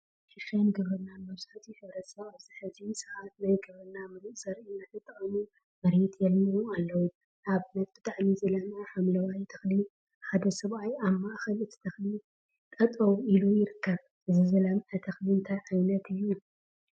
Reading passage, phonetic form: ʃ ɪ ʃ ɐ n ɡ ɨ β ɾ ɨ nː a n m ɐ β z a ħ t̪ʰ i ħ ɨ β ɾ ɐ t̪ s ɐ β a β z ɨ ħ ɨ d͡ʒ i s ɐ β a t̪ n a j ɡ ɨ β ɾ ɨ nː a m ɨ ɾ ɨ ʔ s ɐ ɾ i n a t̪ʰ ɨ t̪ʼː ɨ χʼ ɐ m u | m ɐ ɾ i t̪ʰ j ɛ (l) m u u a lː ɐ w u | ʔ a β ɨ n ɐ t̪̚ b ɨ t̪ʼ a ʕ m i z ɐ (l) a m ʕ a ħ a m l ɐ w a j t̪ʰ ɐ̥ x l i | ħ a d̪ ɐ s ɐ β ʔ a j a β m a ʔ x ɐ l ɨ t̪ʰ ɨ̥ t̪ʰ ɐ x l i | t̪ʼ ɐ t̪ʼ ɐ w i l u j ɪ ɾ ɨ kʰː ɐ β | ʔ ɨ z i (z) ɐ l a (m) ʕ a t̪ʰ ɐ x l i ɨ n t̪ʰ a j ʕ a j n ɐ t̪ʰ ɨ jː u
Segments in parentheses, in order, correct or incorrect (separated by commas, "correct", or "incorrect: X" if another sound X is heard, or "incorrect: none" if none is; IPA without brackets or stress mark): correct, correct, correct, correct